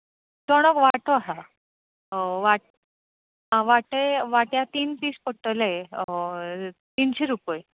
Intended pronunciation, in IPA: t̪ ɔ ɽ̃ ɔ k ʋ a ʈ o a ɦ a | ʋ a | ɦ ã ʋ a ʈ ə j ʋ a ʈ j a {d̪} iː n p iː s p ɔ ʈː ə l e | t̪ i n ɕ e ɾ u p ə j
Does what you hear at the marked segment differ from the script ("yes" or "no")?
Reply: yes